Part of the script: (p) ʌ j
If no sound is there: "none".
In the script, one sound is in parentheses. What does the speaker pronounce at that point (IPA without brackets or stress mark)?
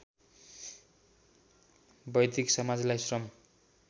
b